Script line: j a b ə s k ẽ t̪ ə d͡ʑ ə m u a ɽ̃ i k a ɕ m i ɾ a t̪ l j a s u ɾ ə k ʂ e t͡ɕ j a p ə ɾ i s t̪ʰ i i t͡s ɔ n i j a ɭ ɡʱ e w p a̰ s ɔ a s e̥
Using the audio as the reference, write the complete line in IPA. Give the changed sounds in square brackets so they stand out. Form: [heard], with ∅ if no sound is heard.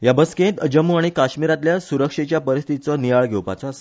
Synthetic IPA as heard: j a b ə s k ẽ t̪ ə d͡ʑ ə m u a ɽ̃ i k a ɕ m i ɾ a t̪ l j a s u ɾ ə k ʂ e t͡ɕ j a p ə ɾ i s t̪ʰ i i t͡s ɔ n i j a ɭ ɡʱ e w p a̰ [t͡s] ɔ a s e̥